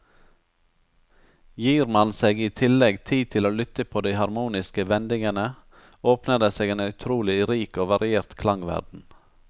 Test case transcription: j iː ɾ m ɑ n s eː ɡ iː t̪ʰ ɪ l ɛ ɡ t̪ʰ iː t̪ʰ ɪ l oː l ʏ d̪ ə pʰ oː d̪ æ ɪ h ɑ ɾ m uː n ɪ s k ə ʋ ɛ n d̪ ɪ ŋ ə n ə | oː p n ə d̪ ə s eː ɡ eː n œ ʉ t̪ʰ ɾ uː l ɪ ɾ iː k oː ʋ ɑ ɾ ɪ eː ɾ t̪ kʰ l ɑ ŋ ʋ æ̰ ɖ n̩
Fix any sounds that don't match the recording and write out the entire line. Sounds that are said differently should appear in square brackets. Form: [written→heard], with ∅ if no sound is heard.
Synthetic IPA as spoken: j iː ɾ m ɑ n s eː ɡ iː t̪ʰ ɪ l ɛ ɡ t̪ʰ iː t̪ʰ ɪ l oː l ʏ [d̪→t̪] ə pʰ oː d̪ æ ɪ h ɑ ɾ m uː n ɪ s k ə ʋ ɛ n d̪ ɪ ŋ ə n ə | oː p n ə d̪ ə s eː ɡ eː n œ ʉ t̪ʰ ɾ uː l ɪ ɾ iː k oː ʋ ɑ ɾ ɪ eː ɾ t̪ kʰ l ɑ ŋ ʋ æ̰ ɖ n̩